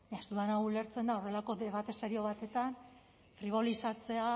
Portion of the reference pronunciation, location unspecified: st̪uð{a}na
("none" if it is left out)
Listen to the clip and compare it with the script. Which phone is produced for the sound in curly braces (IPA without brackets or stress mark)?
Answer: a